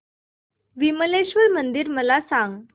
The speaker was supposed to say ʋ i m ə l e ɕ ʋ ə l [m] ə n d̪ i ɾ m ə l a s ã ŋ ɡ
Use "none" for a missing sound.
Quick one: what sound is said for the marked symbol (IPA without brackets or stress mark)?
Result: m